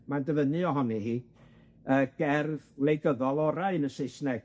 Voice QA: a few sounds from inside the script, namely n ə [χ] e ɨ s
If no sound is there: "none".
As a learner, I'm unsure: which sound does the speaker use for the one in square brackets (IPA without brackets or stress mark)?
s